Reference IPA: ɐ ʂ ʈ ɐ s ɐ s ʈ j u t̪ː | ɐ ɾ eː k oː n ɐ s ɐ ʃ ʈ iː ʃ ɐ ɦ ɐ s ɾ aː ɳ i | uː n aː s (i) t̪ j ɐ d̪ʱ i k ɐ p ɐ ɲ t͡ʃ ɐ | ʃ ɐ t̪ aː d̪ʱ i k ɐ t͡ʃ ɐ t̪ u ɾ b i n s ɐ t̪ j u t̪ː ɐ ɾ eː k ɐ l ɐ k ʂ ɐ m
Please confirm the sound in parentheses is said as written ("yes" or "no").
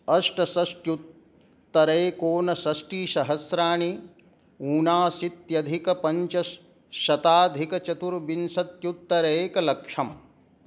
yes